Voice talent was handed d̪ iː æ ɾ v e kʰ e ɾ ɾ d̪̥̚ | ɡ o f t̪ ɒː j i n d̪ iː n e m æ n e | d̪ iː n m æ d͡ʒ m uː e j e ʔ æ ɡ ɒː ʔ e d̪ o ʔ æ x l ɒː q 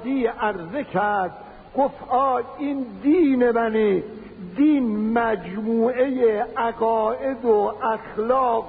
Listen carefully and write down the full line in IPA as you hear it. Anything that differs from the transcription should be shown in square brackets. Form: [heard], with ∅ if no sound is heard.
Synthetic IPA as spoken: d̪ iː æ ɾ [z] e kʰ [æ] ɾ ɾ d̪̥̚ | ɡ o f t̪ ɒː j i n d̪ iː n e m æ n e | d̪ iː n m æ d͡ʒ m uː e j e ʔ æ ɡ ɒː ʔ e d̪ o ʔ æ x l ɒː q